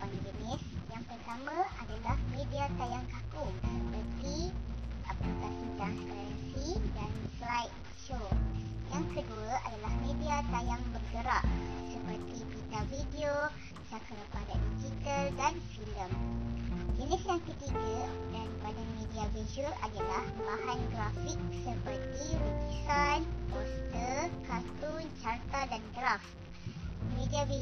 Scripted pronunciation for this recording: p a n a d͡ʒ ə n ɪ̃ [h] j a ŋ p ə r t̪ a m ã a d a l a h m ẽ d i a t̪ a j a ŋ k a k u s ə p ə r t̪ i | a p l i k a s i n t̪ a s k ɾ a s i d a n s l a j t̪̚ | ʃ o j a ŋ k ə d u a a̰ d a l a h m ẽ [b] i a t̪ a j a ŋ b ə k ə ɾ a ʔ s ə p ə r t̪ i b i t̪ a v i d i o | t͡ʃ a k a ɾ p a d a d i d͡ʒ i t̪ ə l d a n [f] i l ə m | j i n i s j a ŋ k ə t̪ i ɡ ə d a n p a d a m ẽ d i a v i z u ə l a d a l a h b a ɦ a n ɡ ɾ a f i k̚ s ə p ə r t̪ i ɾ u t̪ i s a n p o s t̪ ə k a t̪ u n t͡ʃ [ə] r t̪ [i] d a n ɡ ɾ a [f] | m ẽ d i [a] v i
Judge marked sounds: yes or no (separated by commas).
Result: no, no, yes, no, no, yes, yes